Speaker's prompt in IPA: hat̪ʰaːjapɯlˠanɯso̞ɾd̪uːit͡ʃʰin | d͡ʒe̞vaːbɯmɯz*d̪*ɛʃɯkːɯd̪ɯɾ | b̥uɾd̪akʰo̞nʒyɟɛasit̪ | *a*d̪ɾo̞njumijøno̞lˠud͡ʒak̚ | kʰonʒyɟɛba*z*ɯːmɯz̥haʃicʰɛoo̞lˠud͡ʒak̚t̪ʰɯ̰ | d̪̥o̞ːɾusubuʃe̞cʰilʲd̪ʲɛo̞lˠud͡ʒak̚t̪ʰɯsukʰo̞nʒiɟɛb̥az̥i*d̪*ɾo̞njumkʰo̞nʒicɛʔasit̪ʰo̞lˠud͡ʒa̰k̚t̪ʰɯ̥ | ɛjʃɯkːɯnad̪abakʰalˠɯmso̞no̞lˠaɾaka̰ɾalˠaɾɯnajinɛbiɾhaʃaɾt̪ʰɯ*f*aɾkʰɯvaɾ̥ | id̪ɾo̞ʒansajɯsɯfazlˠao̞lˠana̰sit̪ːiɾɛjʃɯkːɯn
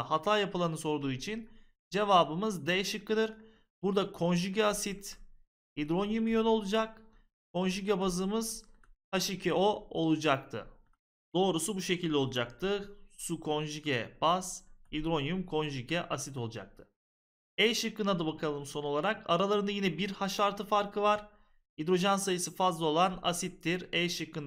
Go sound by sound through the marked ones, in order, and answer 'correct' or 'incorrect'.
correct, incorrect: i, correct, correct, correct

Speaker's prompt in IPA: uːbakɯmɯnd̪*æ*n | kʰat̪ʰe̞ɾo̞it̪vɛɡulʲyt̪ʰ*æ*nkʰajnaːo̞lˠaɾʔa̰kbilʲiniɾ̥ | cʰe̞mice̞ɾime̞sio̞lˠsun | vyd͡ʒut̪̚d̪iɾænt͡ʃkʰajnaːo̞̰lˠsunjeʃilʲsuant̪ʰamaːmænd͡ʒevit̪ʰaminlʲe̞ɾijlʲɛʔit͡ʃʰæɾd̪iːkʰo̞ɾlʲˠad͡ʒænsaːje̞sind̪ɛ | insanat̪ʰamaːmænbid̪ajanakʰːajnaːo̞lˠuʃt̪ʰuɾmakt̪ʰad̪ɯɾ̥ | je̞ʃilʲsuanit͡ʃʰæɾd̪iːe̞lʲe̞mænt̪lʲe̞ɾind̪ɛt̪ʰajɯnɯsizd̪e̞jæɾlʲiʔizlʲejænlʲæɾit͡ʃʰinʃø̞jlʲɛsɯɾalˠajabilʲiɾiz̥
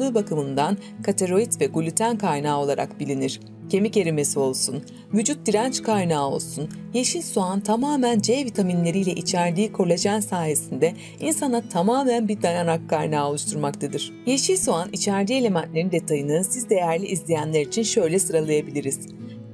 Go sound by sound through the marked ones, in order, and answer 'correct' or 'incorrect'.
incorrect: a, correct

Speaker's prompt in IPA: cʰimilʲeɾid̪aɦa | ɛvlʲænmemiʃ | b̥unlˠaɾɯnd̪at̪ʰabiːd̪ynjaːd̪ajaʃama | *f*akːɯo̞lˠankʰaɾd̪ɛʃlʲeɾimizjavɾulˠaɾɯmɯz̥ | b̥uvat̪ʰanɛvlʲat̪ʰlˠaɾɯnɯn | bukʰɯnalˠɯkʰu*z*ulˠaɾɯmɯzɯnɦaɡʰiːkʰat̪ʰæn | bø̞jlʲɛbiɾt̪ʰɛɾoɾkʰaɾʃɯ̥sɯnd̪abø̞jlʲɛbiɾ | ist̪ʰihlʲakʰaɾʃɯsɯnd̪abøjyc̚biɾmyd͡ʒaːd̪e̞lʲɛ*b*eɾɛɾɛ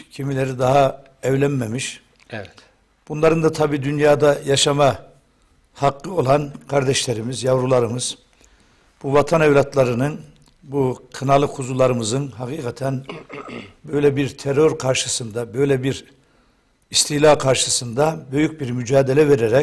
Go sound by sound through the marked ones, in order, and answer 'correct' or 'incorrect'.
incorrect: h, correct, incorrect: v

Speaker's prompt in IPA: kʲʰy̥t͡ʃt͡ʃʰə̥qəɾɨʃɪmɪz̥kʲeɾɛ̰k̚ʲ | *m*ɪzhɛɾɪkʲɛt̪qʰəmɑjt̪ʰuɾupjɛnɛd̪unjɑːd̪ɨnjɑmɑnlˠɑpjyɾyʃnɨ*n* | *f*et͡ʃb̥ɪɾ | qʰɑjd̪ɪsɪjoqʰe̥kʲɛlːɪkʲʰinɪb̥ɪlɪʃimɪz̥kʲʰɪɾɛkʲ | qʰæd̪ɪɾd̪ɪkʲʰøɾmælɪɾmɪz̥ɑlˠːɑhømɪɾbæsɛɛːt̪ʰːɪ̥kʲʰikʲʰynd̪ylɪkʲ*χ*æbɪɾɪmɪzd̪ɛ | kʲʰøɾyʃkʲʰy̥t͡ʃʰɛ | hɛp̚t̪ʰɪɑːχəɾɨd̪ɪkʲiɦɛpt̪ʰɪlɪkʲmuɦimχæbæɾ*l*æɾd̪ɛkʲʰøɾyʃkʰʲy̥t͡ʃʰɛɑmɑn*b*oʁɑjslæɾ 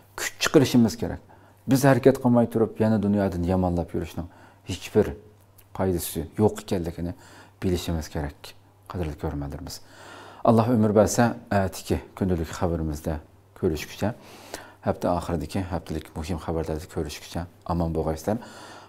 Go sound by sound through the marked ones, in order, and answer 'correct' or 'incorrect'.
incorrect: b, incorrect: ŋ, incorrect: h, correct, correct, correct

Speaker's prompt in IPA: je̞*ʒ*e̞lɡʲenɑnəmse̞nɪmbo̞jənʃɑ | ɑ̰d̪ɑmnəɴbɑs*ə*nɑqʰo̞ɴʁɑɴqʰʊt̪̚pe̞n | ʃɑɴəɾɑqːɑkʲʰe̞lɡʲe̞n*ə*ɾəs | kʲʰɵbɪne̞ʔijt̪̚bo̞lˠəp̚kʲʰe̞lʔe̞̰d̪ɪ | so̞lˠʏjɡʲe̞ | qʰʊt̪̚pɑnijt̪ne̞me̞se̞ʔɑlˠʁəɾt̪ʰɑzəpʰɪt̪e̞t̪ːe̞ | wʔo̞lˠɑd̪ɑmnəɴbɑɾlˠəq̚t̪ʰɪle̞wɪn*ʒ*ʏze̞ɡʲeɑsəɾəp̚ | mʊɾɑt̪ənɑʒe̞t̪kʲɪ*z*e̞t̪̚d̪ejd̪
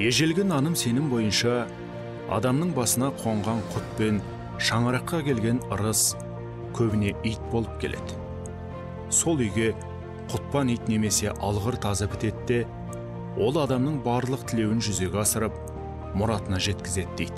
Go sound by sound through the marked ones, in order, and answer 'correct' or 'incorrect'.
correct, correct, correct, correct, correct

